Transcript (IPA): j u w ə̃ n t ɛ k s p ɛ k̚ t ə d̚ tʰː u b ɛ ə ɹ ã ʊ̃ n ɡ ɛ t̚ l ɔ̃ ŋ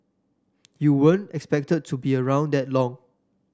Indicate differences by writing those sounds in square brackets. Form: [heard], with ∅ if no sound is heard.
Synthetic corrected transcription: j u w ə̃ n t ɛ k s p ɛ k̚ t ə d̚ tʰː u b [i] ə ɹ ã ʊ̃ n [d] ɛ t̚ l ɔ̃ ŋ